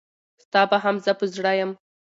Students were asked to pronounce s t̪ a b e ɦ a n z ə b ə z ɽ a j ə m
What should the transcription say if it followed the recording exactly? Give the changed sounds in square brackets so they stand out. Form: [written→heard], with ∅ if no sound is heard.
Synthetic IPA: s t̪ [a→ɑ] b [e→a] ɦ a [n→m] z ə [b→p] ə z ɽ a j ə m